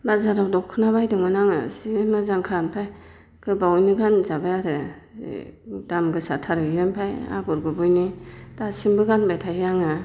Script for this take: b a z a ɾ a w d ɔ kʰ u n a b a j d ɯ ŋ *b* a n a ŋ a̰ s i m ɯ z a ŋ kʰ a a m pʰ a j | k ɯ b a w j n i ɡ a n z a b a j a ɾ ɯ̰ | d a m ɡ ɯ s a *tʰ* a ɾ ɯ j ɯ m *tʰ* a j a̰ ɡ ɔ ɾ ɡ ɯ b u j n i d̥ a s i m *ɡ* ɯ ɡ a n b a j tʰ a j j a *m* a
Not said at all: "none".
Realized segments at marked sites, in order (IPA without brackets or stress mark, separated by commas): m, tʰ, pʰ, b, ŋ